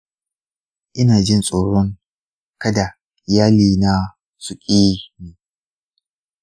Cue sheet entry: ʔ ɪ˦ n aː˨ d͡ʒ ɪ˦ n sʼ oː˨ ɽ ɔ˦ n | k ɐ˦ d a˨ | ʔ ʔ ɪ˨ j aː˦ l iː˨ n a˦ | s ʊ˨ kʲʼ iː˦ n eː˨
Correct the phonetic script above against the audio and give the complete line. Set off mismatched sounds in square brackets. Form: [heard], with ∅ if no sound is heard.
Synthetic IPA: ʔ ɪ˦ n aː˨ d͡ʒ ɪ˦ n sʼ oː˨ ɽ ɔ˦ [ŋ] | k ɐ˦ d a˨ | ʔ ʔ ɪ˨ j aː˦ l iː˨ n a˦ | s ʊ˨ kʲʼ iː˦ n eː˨